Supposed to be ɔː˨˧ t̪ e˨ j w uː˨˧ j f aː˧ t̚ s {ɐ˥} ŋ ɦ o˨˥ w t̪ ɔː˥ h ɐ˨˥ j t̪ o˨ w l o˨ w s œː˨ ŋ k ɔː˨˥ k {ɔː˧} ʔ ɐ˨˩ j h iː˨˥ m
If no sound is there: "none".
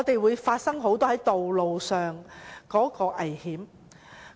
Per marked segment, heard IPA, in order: ɐ˥, ɔː˧

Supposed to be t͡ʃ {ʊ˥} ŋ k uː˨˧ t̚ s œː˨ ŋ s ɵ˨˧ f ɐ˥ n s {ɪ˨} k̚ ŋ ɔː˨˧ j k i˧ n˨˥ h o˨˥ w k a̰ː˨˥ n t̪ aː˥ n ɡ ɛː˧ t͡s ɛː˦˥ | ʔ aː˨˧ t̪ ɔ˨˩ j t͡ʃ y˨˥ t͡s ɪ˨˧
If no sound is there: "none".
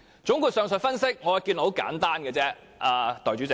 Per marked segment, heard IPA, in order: ʊ˨˥, ɪ˥

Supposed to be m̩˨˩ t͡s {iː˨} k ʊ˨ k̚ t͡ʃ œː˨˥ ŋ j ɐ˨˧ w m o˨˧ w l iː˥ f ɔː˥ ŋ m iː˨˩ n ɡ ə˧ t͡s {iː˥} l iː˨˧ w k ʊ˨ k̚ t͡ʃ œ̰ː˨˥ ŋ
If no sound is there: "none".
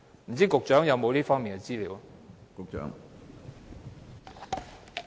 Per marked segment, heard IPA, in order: iː˥, iː˥

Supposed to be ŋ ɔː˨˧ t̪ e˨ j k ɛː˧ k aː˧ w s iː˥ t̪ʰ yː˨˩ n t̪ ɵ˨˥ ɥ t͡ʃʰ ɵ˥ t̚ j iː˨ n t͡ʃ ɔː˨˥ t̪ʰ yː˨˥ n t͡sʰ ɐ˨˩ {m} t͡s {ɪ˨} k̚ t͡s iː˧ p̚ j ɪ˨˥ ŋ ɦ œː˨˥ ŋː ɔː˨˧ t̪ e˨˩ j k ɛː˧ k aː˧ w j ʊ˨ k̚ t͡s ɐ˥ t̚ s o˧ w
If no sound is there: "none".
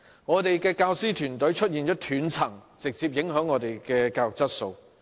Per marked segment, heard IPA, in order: ŋ, ɪ˨

